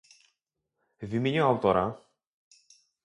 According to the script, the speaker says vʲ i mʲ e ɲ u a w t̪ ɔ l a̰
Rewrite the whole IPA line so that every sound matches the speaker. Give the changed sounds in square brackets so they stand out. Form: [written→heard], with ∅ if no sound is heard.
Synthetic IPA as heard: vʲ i mʲ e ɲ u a w t̪ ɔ [l→ɾ] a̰